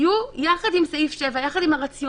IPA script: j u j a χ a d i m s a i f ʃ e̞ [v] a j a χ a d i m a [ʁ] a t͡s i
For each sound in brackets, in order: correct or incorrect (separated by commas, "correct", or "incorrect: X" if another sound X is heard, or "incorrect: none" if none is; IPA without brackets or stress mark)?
correct, correct